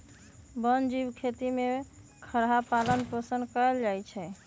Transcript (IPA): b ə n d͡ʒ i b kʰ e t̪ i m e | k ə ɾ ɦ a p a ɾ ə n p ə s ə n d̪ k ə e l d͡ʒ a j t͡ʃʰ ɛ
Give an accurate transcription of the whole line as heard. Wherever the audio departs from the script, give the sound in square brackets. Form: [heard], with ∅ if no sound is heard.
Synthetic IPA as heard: b ə n d͡ʒ i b kʰ e t̪ i m e | [kʰ] ə ɾ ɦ a p a [l] ə n p ə s ə n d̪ k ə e l d͡ʒ a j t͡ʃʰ ɛ

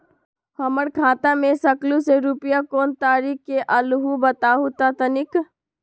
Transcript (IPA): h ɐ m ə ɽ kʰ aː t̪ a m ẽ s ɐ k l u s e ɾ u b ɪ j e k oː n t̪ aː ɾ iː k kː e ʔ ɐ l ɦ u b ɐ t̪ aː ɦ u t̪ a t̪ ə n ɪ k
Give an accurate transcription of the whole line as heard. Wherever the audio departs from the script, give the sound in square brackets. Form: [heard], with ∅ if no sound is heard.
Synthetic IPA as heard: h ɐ m ə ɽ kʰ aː t̪ a m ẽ s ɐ k l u s e ɾ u [p] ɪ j [a] k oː n t̪ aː ɾ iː k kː e ʔ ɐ l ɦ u b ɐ t̪ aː ɦ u t̪ a t̪ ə n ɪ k

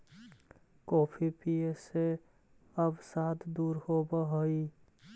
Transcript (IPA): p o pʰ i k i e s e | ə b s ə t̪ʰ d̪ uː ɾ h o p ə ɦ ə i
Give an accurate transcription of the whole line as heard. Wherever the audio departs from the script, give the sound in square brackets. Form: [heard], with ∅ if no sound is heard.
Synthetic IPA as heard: [k] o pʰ i [p] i e s e | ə b s [a] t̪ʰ d̪ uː ɾ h o [b] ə ɦ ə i

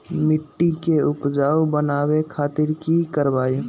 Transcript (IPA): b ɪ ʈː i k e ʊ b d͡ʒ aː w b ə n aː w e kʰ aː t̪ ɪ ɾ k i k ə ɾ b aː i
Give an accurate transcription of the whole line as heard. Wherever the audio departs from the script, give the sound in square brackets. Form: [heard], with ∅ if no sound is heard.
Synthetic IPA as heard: [m] ɪ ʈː i k e ʊ [p] d͡ʒ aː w b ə n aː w e kʰ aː t̪ ɪ ɾ k i k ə ɾ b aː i

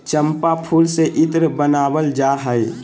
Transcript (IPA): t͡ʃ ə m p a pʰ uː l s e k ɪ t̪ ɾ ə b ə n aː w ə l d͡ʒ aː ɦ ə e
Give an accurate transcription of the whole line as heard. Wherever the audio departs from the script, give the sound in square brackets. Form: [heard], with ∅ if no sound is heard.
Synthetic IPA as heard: t͡ʃ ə m p a pʰ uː l s e [ʔ] ɪ t̪ ɾ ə b ə n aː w ə l d͡ʒ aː ɦ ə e

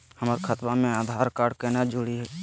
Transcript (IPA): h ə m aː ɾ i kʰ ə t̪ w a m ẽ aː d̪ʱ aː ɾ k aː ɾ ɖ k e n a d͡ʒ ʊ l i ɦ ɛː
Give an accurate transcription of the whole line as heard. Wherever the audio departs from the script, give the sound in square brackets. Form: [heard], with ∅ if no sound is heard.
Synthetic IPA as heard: h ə m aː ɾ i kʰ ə t̪ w a m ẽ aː d̪ʱ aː ɾ k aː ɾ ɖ k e n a d͡ʒ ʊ [ɽ] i ɦ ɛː

